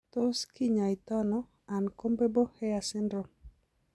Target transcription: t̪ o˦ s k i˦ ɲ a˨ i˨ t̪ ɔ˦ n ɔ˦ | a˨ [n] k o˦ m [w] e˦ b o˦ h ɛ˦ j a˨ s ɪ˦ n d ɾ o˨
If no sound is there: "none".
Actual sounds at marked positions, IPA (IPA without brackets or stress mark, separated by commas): n, b